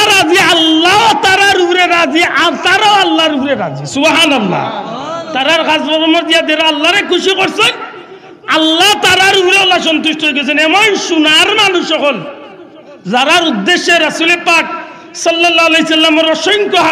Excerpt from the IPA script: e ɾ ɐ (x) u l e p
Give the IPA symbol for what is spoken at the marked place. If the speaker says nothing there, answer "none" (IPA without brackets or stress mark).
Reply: s